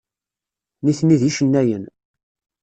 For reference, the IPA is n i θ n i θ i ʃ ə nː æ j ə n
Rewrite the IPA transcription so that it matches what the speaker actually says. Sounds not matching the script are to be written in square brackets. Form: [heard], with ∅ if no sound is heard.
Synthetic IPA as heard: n i θ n i [ð] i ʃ ə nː æ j ə n